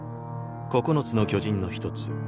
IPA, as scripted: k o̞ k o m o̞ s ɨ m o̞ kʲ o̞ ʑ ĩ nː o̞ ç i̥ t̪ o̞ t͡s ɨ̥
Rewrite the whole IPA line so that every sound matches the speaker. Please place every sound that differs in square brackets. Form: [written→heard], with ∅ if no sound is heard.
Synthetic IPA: k o̞ k o [m→n] o̞ [s→t͡s] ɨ [m→n] o̞ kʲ o̞ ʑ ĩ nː o̞ ç i̥ t̪ o̞ t͡s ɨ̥